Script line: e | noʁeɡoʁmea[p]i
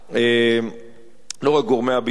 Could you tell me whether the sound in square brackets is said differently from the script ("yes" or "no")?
yes